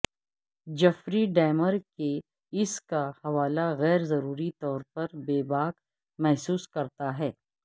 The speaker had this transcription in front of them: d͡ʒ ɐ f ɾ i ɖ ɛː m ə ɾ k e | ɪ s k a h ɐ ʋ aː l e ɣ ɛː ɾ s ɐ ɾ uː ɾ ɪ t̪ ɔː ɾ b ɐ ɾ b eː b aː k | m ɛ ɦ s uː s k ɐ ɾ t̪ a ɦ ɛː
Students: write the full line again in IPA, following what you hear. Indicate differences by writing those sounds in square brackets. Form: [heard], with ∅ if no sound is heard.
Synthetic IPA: d͡ʒ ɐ f ɾ i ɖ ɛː m ə ɾ k e | ɪ s k a h ɐ ʋ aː l [a] ɣ ɛː ɾ [z] ɐ ɾ uː ɾ [i] t̪ ɔː ɾ [p] ɐ ɾ b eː b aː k | m ɛ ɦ s uː s k ɐ ɾ t̪ a ɦ ɛː